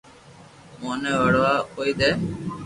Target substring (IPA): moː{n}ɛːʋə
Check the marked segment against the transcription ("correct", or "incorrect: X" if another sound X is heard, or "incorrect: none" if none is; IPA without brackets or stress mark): correct